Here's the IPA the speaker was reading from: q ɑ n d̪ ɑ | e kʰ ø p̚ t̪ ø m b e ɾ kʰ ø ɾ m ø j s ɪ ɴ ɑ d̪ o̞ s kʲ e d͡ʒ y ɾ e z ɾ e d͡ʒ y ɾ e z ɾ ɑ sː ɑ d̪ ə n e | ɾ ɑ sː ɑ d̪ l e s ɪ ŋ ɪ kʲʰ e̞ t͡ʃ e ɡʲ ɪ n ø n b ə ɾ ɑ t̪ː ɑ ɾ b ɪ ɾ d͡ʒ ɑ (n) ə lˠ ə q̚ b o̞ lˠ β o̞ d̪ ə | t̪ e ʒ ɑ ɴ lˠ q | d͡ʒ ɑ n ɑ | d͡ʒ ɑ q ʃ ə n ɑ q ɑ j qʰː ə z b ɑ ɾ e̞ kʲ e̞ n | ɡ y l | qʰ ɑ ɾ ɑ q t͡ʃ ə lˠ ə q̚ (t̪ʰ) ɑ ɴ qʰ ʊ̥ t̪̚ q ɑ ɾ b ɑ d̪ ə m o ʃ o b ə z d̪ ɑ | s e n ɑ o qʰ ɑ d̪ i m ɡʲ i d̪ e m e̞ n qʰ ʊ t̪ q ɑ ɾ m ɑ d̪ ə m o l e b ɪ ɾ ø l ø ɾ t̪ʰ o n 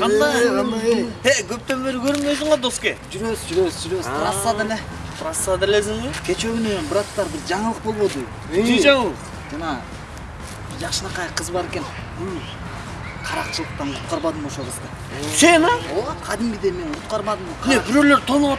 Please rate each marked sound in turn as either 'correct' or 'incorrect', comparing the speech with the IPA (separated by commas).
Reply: incorrect, incorrect